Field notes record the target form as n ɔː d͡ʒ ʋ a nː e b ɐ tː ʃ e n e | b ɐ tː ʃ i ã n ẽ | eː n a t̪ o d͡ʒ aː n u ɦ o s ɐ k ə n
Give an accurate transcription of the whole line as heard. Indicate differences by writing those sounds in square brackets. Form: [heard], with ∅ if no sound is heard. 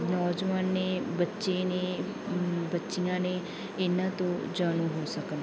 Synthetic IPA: n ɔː d͡ʒ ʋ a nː e b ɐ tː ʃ e n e | b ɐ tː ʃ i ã n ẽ | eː n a t̪ o d͡ʒ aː n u ɦ o s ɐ k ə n